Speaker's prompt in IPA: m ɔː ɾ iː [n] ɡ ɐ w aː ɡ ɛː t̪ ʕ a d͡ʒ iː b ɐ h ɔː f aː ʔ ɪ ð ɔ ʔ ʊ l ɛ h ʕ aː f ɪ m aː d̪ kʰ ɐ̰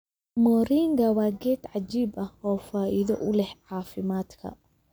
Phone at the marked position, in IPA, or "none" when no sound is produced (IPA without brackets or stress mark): ŋ